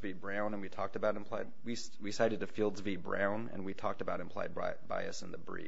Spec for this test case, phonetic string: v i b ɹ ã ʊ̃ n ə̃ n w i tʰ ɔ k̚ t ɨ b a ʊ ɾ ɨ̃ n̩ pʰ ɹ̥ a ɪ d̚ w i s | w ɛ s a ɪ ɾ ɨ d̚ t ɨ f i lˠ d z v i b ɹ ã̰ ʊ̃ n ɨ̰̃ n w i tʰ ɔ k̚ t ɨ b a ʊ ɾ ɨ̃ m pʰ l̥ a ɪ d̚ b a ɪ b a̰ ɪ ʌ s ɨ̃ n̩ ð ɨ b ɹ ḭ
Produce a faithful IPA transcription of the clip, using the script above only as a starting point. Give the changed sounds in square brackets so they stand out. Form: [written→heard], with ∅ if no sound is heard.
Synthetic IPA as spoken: v i b ɹ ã ʊ̃ n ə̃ n w i tʰ ɔ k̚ t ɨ b a ʊ ɾ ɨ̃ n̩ pʰ [ɹ̥→l̥] a ɪ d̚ w i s | w [ɛ→i] s a ɪ ɾ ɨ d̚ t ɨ f i lˠ d z v i b ɹ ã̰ ʊ̃ n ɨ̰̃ n w i tʰ ɔ k̚ t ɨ b a ʊ ɾ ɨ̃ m pʰ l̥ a ɪ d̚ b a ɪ b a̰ ɪ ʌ s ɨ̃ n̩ ð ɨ b ɹ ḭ

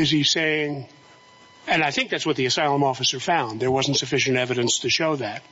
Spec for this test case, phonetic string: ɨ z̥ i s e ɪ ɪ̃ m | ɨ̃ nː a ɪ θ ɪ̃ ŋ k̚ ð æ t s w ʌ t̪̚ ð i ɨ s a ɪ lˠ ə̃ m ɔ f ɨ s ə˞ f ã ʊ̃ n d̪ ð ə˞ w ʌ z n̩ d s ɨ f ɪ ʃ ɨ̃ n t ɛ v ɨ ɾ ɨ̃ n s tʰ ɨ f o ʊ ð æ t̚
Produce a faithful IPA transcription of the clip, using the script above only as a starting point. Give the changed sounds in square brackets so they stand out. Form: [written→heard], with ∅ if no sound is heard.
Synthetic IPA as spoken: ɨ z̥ i s e ɪ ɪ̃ [m→ŋ] | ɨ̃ [nː→n] a ɪ θ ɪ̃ ŋ k̚ ð æ t s w ʌ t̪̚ ð i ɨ s a ɪ lˠ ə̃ m ɔ f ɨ s ə˞ f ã ʊ̃ n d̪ ð ə˞ w ʌ z n̩ [d→t] s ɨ f ɪ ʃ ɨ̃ n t ɛ v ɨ ɾ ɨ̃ n s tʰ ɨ [f→ʃ] o ʊ ð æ t̚

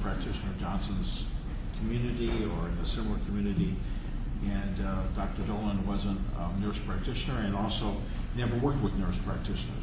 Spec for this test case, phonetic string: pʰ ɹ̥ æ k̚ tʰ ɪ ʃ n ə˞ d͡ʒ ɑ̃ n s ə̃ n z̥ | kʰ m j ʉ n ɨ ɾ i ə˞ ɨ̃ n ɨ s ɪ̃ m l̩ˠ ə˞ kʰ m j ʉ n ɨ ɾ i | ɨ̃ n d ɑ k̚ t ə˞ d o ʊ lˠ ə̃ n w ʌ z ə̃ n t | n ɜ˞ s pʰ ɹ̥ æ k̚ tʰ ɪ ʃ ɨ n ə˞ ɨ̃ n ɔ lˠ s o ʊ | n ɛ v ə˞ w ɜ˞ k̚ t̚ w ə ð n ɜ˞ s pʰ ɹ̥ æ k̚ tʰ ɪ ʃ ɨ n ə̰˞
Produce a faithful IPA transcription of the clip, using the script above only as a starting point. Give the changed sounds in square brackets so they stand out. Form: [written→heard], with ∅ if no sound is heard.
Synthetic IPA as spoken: pʰ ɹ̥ æ k̚ tʰ ɪ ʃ n ə˞ d͡ʒ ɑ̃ n s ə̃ n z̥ | kʰ m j ʉ n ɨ ɾ i ə˞ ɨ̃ n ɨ s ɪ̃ m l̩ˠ ə˞ kʰ m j ʉ n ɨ ɾ i | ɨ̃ n d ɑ k̚ t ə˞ d o ʊ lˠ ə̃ n w ʌ z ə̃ n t | n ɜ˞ s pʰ ɹ̥ æ k̚ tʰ ɪ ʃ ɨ n ə˞ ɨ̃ n ɔ lˠ s o ʊ | n ɛ v ə˞ w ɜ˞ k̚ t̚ w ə ð n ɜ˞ s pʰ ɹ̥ æ k̚ tʰ ɪ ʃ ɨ n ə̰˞

